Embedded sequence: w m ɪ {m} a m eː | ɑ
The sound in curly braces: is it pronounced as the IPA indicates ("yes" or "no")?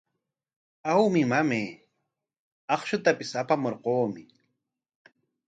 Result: yes